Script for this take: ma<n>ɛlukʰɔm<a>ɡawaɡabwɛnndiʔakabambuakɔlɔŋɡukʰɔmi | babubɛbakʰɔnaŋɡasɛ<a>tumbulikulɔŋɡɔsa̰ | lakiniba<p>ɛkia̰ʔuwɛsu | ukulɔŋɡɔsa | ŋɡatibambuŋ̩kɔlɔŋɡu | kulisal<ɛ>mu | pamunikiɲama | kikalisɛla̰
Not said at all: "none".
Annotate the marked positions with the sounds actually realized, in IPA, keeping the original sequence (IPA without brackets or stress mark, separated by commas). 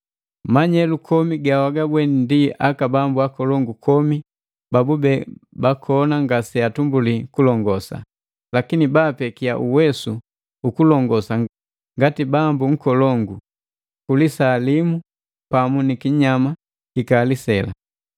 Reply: ɲ, i, a, p, i